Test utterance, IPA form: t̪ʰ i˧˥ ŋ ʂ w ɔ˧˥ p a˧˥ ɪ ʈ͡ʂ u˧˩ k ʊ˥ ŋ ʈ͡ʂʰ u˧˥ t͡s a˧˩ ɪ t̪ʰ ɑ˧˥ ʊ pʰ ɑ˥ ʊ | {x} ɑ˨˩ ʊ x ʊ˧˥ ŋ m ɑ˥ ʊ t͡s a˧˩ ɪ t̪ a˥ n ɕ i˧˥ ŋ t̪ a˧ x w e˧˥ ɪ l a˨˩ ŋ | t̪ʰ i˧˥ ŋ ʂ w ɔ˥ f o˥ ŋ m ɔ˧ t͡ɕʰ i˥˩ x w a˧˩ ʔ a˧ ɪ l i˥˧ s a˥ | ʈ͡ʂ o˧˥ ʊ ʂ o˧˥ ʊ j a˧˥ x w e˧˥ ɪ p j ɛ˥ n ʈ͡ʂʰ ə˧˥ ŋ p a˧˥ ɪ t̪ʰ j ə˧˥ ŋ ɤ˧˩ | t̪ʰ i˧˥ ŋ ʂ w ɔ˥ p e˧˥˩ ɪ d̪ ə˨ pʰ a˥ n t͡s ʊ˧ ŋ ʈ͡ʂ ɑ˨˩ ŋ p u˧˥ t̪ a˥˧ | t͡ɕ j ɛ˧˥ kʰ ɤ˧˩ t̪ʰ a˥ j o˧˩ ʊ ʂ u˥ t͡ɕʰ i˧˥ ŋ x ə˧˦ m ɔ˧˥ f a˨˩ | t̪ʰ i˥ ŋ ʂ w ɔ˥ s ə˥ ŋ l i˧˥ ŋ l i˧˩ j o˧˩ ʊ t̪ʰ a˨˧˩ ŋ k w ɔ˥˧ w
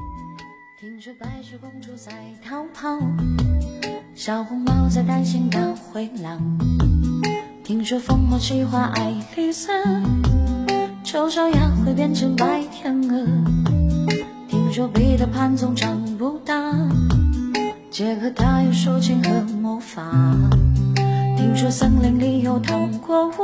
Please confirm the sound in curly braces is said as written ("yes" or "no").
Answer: no